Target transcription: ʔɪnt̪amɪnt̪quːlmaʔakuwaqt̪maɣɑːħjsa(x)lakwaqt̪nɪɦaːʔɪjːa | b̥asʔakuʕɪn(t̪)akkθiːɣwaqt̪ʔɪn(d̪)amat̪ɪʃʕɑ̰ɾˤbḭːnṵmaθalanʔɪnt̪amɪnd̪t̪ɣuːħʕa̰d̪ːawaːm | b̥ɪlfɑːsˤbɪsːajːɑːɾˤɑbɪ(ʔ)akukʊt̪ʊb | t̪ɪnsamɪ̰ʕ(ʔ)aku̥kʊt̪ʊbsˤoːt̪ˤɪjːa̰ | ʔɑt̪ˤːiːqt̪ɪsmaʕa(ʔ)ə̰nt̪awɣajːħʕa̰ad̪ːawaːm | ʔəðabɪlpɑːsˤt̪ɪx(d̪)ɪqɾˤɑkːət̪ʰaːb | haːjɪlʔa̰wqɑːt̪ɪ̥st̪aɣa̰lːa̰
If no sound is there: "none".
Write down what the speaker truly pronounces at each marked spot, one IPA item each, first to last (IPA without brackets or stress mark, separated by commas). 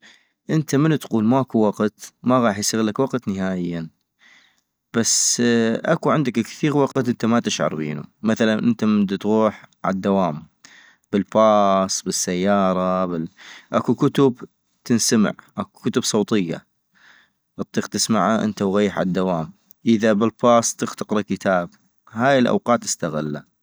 ɣ, d̪, t̪, ʔ, ʔ, ʔ, t̪